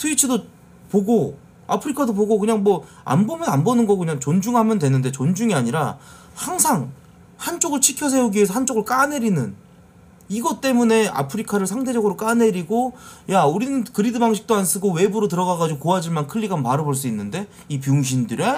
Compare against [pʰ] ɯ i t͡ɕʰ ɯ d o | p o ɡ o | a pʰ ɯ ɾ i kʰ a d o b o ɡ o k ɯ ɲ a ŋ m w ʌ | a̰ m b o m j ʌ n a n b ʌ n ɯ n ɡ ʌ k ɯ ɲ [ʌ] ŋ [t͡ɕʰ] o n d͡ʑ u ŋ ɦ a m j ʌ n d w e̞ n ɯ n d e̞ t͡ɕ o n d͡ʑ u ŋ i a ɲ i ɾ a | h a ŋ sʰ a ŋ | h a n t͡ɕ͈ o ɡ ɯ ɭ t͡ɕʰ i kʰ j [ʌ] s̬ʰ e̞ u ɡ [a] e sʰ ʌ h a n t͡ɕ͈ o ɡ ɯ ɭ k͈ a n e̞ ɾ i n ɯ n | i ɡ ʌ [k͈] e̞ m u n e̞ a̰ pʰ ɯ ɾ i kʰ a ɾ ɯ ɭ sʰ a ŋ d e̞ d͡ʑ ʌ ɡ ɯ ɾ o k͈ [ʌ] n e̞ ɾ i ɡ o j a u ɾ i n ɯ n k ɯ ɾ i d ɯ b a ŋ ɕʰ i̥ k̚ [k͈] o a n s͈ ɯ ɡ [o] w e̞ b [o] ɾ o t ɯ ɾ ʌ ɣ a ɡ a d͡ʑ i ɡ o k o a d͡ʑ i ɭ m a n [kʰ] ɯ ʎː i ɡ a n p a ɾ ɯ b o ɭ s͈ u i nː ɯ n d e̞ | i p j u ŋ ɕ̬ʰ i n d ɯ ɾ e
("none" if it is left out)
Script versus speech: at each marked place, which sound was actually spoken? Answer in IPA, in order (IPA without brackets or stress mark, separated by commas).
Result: tʰ, a, t͡ɕ, ʌ, i, t͈, a, t͈, o, u, kʰ